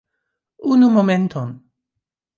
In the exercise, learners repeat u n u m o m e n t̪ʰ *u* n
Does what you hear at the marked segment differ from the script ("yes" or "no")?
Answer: yes